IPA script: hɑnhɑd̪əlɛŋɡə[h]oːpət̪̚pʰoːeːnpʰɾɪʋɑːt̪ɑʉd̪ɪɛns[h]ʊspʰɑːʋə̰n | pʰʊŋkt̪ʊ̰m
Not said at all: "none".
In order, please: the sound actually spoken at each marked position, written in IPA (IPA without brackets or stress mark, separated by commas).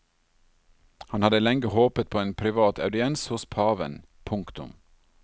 h, h